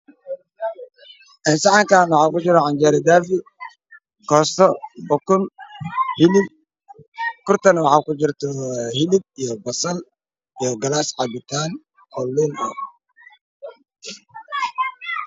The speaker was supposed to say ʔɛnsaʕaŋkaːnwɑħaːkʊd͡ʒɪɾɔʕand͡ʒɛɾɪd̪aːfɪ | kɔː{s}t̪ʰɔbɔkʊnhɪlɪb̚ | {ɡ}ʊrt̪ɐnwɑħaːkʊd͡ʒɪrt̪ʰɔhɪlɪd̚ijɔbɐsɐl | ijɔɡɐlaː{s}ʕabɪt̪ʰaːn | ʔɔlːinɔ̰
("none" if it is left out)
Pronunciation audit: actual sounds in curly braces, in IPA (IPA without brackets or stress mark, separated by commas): s, k, s